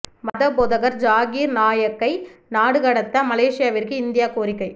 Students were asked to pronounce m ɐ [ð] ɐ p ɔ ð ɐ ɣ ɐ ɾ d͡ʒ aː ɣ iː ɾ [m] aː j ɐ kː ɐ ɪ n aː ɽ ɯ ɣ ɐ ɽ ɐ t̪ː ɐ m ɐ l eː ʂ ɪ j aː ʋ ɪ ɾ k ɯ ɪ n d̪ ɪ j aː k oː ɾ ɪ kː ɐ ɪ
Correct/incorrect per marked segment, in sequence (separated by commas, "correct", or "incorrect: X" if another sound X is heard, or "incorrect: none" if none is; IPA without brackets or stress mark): correct, incorrect: n